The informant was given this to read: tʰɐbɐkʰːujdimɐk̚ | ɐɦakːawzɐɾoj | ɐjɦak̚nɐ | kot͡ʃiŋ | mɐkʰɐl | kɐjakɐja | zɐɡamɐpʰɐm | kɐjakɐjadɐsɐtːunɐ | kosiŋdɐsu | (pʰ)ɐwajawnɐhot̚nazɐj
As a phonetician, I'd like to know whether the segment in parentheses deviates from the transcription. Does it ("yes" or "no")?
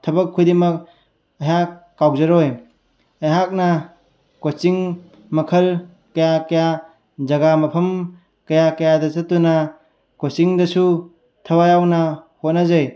yes